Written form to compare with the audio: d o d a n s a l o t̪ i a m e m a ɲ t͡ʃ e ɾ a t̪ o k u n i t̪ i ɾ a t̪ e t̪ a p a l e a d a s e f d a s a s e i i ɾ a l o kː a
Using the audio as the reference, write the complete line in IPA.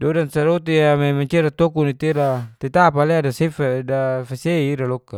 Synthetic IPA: d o d a n s a ɾ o t̪ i a m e m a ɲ t͡ʃ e ɾ a t̪ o k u n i t̪ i ɾ a t̪ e t̪ a p a l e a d a s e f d a f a s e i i ɾ a l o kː a

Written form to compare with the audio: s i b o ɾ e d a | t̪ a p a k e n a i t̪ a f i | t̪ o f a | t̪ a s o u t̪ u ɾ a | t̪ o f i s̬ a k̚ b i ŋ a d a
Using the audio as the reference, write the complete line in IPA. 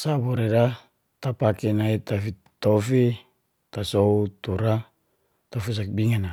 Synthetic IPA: s a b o ɾ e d a | t̪ a p a k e n a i t̪ a f i | t̪ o f i | t̪ a s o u t̪ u ɾ a | t̪ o f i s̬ a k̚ b i ŋ a n a

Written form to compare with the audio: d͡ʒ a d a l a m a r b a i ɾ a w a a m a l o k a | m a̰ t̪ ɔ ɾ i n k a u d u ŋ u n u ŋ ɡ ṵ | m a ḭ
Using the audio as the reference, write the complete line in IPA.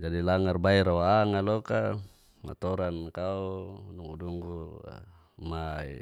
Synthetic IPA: d͡ʒ a d i l a ŋ a r b a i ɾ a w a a ŋ a l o k a | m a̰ t̪ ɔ ɾ a n k a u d u ŋ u d u ŋ ɡ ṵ | m a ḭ

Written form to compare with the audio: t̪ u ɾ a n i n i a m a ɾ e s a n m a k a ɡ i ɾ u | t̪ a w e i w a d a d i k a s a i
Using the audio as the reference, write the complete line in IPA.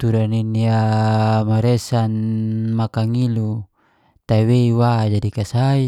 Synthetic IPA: t̪ u ɾ a n i n i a m a ɾ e s a n m a k a ŋ i l u | t̪ a w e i w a d͡ʒ a d i k a s a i

